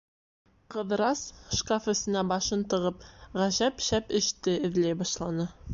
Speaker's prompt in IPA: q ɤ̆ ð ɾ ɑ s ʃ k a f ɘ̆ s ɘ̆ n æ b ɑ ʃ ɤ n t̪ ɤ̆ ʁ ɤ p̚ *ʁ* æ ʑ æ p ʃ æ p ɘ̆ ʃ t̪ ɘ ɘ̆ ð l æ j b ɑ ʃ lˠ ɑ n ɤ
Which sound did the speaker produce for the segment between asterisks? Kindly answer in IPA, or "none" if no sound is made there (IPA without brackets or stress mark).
ʁ